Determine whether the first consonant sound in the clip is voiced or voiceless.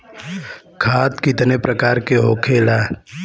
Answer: voiceless